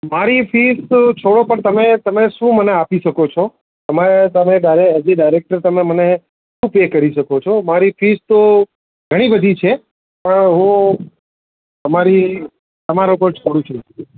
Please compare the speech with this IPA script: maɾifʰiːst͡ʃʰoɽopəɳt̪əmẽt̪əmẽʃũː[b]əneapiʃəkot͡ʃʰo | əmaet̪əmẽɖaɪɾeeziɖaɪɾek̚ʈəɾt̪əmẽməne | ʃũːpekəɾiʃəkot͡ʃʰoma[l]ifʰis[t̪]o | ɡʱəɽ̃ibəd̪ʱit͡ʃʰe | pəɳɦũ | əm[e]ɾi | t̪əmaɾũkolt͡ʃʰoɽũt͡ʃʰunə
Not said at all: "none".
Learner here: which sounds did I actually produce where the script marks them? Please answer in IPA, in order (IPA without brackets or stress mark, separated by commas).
m, ɾ, t̪, a